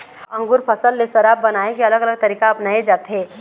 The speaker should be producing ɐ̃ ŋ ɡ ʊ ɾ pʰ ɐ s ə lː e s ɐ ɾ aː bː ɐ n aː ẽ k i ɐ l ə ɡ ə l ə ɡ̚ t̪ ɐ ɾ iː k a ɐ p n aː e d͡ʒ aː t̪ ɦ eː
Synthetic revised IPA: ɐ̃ ŋ ɡ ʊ ɾ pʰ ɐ s ə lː e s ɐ ɾ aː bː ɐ n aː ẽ k i ɐ l ə ɡ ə l ə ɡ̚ t̪ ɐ ɾ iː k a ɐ p n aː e d͡ʒ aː t̪ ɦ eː